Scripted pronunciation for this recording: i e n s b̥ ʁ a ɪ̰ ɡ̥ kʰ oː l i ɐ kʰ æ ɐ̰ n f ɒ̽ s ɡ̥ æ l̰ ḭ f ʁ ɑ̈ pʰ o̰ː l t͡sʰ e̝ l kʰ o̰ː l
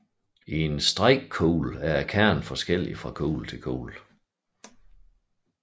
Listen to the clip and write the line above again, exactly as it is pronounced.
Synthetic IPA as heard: i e n s d̥ ʁ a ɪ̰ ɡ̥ kʰ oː l æ ɐ kʰ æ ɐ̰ n f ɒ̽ s ɡ̥ e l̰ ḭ f ʁ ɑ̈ kʰ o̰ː l t͡sʰ e̝ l kʰ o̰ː l